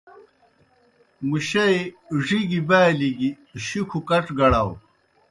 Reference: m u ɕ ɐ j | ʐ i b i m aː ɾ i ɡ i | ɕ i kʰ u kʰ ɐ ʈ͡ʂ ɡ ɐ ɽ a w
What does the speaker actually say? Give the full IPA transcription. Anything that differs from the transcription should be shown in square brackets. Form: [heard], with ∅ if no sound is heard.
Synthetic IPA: m u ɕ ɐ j | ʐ i [ɡ] i [b] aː [l] i ɡ i | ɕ i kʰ u [k] ɐ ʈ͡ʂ ɡ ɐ ɽ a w